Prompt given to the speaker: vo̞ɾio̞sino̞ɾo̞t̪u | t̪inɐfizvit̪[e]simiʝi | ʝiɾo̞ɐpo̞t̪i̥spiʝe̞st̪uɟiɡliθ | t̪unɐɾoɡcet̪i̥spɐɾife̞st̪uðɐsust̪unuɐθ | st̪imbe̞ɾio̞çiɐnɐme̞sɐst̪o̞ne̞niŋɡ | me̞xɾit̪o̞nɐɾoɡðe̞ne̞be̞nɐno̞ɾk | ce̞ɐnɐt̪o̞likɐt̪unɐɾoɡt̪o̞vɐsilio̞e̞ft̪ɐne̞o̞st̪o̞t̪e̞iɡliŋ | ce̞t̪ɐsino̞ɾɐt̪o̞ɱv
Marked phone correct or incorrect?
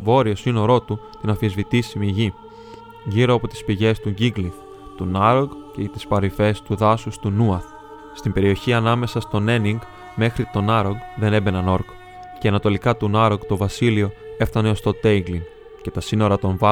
incorrect